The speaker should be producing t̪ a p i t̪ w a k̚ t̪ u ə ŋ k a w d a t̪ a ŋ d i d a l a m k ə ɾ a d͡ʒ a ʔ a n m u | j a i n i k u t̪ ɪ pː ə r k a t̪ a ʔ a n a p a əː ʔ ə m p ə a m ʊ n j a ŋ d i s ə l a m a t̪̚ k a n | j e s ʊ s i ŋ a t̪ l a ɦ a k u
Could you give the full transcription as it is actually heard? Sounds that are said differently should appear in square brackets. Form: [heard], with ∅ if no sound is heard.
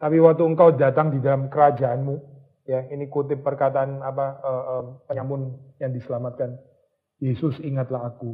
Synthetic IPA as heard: t̪ a p i [∅] w a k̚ t̪ u ə ŋ k a w d a t̪ a ŋ d i d a l a m k ə ɾ a d͡ʒ a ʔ a n m u | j a i n i k u t̪ ɪ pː ə r k a t̪ a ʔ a n a p a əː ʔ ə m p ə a m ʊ n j a ŋ d i s ə l a m a t̪̚ k a n | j e s ʊ s i ŋ a t̪ l a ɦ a k u